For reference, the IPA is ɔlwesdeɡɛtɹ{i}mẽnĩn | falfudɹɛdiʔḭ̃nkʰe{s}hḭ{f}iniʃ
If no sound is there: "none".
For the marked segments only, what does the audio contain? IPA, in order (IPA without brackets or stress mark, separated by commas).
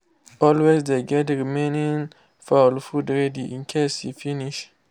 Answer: i, s, f